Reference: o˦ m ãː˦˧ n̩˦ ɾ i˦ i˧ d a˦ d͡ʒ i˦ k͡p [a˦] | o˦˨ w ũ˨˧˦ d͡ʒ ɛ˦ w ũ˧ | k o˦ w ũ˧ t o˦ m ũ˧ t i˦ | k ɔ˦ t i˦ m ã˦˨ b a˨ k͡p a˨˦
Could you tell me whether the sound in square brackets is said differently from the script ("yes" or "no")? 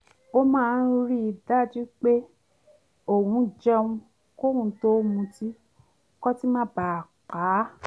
yes